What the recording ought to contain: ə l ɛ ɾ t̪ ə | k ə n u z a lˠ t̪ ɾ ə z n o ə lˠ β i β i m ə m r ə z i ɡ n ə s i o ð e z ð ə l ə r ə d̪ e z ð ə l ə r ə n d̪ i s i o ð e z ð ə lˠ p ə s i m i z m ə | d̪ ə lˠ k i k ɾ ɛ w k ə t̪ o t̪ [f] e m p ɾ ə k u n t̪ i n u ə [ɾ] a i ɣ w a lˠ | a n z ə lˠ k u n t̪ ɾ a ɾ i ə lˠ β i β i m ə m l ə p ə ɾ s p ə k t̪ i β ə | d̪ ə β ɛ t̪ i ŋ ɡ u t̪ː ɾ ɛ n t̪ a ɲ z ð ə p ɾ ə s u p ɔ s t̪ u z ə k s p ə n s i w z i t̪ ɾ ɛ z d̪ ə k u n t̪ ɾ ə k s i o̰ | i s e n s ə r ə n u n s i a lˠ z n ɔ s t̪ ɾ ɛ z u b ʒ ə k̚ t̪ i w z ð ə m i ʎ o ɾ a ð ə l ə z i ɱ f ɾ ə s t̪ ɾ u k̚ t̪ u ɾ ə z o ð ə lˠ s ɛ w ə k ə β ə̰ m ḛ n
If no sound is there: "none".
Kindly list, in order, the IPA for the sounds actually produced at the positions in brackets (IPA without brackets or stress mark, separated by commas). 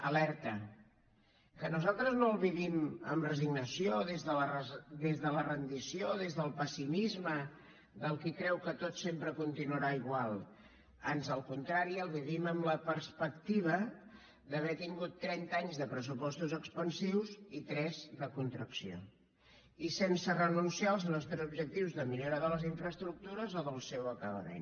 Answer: s, ɾ